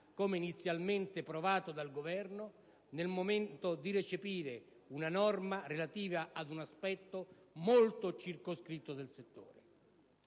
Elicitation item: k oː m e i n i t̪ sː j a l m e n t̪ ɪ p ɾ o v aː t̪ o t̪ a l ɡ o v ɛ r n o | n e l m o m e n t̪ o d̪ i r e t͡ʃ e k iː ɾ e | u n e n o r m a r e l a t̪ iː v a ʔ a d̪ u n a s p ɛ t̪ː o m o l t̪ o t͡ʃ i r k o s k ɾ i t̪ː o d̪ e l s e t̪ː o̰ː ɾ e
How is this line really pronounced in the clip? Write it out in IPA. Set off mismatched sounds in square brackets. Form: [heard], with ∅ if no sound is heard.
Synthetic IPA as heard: k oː m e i n i t̪ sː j a l m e n t̪ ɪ p ɾ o v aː t̪ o [d̪] a l ɡ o v ɛ r n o | n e l m o m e n t̪ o d̪ i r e t͡ʃ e [p] iː ɾ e | u n [a] n [ɔ] r m a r e l a t̪ iː v a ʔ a d̪ u n a s p ɛ t̪ː o m o l t̪ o t͡ʃ i r k o s k ɾ i t̪ː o d̪ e l s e t̪ː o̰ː ɾ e